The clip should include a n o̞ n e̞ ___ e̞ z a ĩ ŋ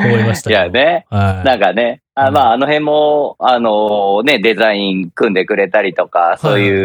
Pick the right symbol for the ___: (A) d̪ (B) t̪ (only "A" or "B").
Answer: A